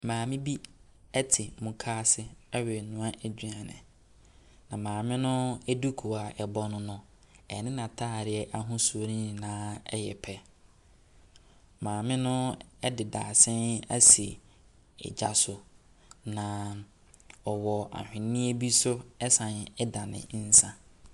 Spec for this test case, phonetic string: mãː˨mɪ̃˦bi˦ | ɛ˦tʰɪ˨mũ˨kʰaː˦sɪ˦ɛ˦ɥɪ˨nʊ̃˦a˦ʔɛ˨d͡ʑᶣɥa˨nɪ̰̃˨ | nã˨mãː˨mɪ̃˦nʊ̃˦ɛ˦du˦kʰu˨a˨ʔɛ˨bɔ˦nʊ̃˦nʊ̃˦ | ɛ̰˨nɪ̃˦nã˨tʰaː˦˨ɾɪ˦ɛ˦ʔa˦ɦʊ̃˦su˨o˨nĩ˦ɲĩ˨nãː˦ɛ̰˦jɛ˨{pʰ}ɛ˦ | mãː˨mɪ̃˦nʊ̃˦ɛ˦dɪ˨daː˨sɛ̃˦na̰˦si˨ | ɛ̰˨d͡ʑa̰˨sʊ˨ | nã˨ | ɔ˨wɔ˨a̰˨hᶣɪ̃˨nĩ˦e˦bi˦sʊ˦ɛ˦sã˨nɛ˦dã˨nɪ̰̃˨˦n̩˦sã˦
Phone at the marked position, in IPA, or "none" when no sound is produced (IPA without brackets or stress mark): pʰ